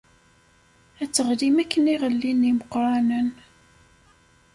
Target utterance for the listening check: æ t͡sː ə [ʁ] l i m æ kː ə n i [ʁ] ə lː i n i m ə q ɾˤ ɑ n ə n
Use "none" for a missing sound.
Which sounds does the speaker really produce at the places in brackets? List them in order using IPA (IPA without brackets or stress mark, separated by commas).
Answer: ʁ, ʁ